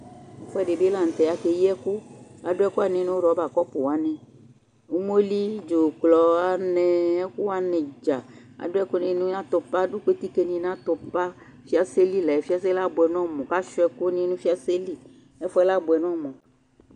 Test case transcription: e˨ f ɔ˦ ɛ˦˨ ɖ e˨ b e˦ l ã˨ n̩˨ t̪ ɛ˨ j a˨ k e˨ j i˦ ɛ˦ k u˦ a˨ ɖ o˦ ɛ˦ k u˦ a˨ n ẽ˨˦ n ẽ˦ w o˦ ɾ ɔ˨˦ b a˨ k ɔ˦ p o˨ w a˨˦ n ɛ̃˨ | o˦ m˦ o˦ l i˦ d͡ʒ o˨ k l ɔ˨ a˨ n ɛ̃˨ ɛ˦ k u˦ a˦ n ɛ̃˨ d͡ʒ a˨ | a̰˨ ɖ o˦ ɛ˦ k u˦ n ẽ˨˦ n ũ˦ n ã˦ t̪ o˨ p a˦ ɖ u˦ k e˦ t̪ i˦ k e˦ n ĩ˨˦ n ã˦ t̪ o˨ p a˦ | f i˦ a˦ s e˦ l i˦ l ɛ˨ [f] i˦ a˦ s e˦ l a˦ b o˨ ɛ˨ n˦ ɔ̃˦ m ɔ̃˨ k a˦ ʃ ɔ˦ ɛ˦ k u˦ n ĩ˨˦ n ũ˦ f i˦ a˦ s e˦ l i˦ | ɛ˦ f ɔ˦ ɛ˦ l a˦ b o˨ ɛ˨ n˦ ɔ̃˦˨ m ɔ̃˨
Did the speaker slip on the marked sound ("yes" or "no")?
no